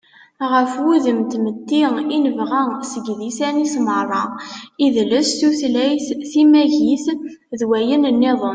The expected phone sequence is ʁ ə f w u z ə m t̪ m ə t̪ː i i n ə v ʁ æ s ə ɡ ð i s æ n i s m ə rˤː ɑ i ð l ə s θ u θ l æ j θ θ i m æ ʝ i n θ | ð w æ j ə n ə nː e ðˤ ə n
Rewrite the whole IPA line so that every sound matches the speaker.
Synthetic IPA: ʁ ə f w u ð ə m t̪ m ə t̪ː i i n ə v ʁ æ s ə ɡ ð i s æ n i s m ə rˤː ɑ i ð l ə s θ u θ l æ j θ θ i m æ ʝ i θ | ð w æ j ə n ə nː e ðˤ ə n